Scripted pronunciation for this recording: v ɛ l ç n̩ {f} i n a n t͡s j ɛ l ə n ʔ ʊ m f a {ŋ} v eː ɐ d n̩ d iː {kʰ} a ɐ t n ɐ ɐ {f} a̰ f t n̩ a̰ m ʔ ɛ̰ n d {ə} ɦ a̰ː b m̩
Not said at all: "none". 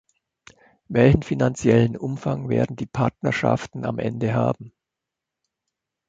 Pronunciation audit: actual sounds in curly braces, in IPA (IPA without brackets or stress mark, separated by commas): f, ŋ, pʰ, ʃ, ə